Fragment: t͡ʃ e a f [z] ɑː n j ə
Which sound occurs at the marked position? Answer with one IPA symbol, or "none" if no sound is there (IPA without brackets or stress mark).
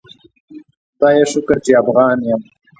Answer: ɣ